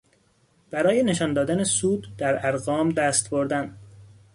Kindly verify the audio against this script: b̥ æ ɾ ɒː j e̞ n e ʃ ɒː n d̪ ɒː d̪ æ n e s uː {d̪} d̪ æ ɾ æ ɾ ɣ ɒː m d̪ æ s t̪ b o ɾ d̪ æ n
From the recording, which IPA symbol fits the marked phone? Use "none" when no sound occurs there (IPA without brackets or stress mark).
d̪